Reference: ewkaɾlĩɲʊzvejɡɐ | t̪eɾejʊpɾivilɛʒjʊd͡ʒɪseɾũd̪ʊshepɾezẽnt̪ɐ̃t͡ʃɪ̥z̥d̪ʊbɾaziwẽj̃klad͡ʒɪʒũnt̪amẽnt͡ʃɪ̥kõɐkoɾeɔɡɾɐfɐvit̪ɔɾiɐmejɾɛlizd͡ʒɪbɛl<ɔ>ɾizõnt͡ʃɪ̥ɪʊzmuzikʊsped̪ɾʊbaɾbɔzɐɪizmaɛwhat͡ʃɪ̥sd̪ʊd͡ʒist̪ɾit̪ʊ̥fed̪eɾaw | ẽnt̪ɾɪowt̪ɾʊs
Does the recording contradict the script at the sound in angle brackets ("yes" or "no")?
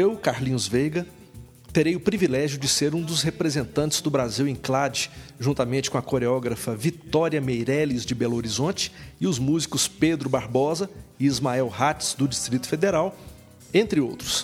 yes